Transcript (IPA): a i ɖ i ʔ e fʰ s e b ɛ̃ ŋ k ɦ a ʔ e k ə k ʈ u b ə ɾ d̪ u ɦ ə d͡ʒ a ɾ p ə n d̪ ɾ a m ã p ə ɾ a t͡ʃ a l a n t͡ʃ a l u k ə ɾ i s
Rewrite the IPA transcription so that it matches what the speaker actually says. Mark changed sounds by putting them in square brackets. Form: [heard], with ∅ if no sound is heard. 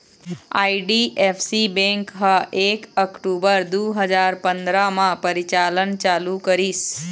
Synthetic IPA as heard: a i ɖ i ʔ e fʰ s [i] b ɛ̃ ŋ k ɦ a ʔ e k ə k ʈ u b ə ɾ d̪ u ɦ ə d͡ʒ a ɾ p ə n d̪ ɾ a m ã p ə ɾ [i] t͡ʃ a l [ə] n t͡ʃ a l u k ə ɾ i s